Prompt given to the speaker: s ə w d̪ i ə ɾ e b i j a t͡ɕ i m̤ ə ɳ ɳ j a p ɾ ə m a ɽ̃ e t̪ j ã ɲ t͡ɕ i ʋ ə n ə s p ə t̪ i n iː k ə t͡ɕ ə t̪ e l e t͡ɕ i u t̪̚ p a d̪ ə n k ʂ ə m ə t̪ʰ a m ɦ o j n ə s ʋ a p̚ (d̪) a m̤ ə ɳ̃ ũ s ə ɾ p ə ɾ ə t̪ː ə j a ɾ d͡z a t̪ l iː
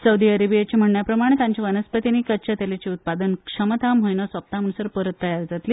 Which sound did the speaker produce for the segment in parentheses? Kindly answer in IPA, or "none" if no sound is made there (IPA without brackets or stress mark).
t̪